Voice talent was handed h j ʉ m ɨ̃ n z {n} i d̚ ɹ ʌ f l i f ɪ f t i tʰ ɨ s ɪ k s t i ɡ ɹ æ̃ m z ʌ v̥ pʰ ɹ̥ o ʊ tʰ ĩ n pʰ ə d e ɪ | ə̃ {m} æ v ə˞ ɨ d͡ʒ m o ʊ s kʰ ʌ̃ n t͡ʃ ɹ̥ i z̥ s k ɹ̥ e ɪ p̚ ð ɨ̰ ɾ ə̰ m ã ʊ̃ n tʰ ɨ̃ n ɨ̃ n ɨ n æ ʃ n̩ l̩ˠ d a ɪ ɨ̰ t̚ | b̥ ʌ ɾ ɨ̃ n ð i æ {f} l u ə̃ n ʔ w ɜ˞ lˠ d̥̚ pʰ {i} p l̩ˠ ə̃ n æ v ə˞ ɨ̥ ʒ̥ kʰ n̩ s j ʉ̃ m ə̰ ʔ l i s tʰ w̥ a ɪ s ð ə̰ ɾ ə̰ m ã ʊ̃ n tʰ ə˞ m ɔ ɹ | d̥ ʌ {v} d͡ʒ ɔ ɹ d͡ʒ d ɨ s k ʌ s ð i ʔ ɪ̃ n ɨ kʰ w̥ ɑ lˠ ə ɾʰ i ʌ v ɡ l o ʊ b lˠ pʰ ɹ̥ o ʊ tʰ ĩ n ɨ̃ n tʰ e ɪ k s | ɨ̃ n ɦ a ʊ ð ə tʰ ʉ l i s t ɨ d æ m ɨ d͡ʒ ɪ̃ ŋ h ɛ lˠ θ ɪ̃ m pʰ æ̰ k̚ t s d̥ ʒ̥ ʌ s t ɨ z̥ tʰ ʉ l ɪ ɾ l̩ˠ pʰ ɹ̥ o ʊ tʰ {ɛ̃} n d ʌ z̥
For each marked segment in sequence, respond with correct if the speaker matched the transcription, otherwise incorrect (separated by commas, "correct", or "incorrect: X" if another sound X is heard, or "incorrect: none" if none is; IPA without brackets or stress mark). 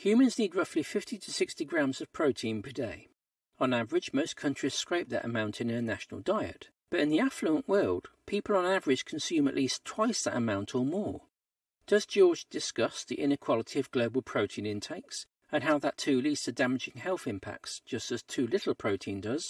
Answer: correct, incorrect: n, correct, correct, incorrect: z, incorrect: ĩ